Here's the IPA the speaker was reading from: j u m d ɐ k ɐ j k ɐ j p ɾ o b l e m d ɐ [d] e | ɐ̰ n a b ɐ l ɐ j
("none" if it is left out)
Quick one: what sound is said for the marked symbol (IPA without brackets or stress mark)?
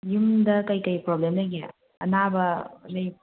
ɡ